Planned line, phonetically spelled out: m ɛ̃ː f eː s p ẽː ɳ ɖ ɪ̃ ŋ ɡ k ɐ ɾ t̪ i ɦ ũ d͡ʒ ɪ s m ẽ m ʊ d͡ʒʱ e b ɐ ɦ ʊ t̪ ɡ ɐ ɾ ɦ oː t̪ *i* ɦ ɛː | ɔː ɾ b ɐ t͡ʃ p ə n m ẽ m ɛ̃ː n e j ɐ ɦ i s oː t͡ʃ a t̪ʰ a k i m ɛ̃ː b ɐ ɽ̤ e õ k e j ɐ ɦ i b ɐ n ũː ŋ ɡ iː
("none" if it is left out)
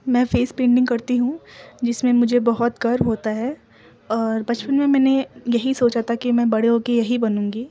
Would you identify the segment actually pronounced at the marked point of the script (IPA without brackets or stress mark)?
a